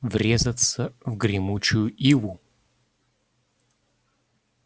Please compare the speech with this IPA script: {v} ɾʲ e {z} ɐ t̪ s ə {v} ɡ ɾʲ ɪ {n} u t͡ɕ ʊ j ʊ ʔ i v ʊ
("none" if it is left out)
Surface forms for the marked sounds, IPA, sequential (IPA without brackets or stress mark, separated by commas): v, z, v, m